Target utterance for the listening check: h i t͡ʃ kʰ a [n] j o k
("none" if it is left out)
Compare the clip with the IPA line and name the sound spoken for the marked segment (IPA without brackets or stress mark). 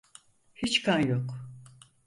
n